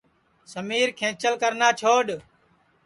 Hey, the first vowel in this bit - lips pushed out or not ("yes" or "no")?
no